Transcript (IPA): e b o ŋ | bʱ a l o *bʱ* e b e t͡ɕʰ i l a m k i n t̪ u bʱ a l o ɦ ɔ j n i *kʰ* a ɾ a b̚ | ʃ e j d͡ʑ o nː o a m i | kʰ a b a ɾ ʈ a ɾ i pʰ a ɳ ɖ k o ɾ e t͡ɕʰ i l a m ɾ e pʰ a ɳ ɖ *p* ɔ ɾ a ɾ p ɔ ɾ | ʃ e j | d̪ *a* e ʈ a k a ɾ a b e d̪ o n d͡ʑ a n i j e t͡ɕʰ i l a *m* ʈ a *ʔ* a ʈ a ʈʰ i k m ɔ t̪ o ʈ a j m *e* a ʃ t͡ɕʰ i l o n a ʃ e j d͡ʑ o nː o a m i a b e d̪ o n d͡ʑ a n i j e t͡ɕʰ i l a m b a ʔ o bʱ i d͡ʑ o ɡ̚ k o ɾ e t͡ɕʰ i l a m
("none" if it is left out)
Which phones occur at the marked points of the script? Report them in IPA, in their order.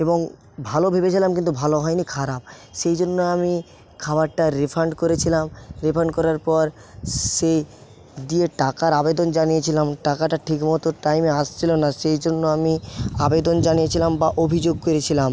bʱ, kʰ, k, i, m, k, e

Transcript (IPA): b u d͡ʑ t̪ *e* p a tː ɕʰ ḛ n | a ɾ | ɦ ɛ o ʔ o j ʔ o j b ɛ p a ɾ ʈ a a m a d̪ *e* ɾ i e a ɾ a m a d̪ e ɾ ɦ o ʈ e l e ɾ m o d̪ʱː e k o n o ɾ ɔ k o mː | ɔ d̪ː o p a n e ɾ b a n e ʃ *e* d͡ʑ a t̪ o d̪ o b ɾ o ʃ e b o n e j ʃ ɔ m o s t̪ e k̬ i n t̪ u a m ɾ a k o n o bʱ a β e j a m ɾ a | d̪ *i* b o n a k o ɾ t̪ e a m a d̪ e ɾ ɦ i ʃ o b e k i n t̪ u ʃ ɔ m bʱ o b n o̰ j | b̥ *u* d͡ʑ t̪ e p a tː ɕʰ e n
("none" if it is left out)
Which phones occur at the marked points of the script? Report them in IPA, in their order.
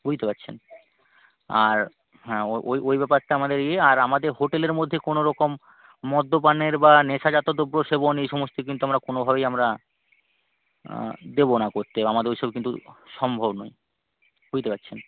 e, e, a, e, u

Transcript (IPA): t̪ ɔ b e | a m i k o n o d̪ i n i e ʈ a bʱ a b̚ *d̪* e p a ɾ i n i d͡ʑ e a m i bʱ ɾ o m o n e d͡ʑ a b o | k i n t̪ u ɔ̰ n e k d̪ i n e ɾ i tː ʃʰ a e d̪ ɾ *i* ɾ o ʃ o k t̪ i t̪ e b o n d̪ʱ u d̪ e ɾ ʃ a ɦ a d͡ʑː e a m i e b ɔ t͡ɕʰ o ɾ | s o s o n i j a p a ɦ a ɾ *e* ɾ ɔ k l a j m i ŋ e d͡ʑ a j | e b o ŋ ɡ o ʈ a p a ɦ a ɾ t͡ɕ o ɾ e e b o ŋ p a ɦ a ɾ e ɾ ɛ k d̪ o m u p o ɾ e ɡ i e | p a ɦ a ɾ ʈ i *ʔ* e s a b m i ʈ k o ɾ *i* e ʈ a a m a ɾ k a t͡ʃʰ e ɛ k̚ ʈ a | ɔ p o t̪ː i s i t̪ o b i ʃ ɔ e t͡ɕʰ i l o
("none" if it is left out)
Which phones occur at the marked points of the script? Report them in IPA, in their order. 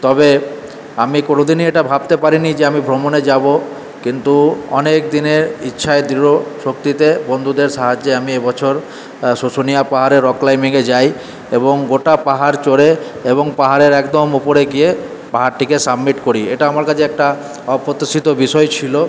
t̪, i, e, k, i

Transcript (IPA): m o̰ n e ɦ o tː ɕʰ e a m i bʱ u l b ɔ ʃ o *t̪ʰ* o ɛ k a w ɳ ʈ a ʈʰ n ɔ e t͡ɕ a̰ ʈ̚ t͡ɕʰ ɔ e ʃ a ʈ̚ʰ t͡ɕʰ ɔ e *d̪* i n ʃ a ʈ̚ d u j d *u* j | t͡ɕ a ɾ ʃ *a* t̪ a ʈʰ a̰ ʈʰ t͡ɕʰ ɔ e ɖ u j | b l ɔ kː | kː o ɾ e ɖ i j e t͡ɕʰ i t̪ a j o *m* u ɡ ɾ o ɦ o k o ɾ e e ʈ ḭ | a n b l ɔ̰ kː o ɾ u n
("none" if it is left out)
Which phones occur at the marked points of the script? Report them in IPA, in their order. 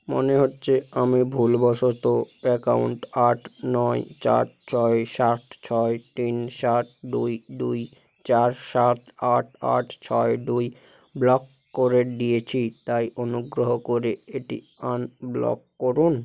t̪, t̪, u, a, n

